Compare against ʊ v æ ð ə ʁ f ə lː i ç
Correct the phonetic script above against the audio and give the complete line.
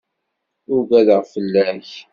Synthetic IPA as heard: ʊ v æ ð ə ʁ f ə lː æ ç

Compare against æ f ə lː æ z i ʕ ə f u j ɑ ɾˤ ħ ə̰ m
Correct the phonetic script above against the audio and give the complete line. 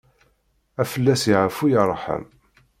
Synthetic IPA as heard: æ f ə lː æ s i ʕ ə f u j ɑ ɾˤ ħ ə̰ m

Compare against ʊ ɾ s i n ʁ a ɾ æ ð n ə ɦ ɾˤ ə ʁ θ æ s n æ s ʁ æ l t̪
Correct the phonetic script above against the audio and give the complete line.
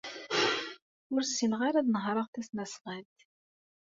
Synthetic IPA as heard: ʊ ɾ s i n ʁ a ɾ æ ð n ə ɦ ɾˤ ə ʁ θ æ s n æ s ʁ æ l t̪

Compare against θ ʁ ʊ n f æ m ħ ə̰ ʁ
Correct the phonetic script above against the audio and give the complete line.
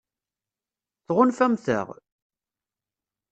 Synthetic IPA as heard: θ ʁ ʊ n f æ m θ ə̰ ʁ

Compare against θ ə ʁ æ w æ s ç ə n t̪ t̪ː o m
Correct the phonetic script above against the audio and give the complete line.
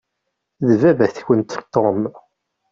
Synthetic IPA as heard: ð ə v æ v æ θ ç ə n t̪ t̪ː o m

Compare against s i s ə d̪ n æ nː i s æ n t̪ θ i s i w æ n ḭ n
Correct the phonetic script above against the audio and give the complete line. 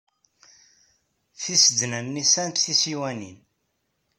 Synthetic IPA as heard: θ i s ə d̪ n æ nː i s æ n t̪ θ i s i w æ n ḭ n

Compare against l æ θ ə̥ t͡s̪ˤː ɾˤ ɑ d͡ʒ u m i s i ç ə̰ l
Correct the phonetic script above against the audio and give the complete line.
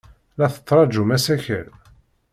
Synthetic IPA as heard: l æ θ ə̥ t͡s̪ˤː ɾˤ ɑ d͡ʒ u m æ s æ ç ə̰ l

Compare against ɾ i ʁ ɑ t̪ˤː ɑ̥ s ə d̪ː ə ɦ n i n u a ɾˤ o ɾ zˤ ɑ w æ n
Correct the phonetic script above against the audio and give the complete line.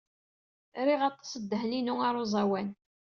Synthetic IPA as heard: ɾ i ʁ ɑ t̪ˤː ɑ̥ s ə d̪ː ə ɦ n i n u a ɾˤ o zˤ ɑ w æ n

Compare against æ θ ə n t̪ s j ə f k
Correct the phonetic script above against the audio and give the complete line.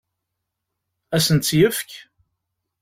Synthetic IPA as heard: æ s ə n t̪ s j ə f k

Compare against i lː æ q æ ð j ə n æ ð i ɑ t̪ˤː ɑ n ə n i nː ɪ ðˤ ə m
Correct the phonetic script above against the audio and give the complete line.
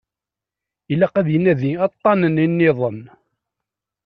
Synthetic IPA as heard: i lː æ q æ ð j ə n æ ð i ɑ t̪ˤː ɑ n ə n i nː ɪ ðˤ ə n

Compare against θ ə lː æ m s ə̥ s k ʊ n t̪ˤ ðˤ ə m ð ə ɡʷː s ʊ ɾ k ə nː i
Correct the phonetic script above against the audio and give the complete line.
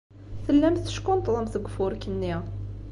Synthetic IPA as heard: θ ə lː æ m θ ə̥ ʃ k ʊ n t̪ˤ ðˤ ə m θ ə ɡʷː f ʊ ɾ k ə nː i

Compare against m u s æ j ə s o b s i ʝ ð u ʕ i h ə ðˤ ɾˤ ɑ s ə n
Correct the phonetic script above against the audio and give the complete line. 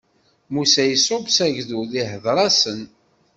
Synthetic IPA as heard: m u s æ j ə s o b s æ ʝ ð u ð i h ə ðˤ ɾˤ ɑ s ə n

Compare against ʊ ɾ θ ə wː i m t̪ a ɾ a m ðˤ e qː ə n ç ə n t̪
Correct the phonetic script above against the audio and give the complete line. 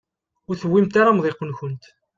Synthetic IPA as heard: ʊ ɾ θ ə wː i m t̪ a ɾ a m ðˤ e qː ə n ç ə n t̪

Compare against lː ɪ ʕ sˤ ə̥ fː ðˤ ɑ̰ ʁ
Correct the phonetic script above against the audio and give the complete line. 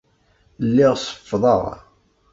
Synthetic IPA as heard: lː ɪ ʁ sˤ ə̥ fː ðˤ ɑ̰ ʁ

